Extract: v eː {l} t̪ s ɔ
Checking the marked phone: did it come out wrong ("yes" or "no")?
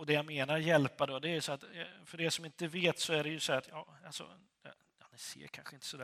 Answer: yes